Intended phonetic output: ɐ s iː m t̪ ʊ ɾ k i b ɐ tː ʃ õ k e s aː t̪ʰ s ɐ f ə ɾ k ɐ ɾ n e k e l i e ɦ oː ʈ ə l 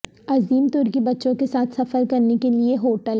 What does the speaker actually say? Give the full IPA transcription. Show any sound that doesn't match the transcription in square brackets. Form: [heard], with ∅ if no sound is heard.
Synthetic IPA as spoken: ɐ [z] iː m t̪ ʊ ɾ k i b ɐ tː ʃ õ k e s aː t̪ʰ s ɐ f ə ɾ k ɐ ɾ n e k e l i e ɦ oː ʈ ə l